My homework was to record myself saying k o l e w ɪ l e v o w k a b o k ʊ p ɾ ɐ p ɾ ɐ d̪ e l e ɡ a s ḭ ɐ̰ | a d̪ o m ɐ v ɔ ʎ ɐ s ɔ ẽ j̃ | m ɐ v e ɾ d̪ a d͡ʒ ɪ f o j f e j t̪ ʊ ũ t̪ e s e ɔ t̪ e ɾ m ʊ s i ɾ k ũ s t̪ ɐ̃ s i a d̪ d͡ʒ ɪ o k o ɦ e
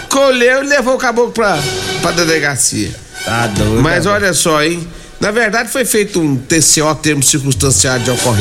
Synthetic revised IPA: k o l e w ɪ l e v o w k a b o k ʊ p ɾ ɐ p ɾ ɐ d̪ e l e ɡ a s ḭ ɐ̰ | a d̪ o m ɐ z ɔ ʎ ɐ s ɔ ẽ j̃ | n ɐ v e ɾ d̪ a d͡ʒ ɪ f o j f e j t̪ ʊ ũ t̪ e s e ɔ t̪ e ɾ m ʊ s i ɾ k ũ s t̪ ɐ̃ s i a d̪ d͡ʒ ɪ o k o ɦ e